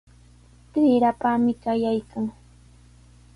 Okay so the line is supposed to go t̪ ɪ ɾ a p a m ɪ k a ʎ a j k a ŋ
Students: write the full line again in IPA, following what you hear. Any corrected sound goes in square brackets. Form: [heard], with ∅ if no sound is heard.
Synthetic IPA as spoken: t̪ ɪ ɾ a p a m ɪ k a [j] a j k a ŋ